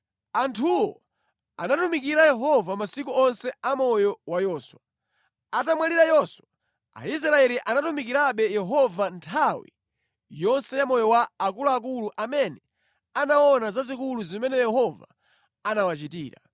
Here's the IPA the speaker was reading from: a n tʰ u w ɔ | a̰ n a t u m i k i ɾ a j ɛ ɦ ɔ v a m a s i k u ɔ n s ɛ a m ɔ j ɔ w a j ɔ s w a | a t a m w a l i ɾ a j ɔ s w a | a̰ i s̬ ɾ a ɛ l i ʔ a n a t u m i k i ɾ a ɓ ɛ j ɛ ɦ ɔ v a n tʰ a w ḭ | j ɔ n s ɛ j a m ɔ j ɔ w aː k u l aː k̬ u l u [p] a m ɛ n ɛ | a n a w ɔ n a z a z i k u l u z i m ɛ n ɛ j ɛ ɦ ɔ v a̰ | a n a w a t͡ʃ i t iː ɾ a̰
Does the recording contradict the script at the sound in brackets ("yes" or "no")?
yes